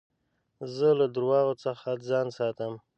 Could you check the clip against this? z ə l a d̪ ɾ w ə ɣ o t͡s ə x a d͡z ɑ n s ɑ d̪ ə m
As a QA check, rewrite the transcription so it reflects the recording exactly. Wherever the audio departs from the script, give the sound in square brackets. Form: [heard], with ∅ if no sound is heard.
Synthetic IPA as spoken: z ə l a d̪ ɾ w [ɑ] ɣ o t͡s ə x a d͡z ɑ n s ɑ [t̪] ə m